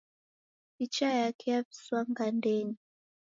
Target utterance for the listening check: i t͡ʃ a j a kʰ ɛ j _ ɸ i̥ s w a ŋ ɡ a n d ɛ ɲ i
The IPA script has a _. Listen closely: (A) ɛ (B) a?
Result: B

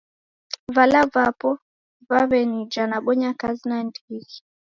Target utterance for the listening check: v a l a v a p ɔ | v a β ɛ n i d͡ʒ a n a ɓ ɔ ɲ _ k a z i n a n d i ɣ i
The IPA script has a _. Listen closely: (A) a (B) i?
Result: A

